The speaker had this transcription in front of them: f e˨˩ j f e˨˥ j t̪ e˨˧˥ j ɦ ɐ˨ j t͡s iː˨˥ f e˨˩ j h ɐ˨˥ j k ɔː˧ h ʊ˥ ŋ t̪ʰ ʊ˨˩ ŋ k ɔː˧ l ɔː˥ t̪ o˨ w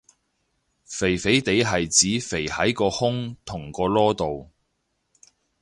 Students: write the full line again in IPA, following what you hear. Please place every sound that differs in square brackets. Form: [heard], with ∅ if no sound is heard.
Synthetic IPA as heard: f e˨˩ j f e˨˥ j t̪ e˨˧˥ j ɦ ɐ˨ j t͡s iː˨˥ f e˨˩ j h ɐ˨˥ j k ɔː˧ h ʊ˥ ŋ t̪ʰ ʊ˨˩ ŋ k ɔː˧ l ɔː˥ t̪ o˨ w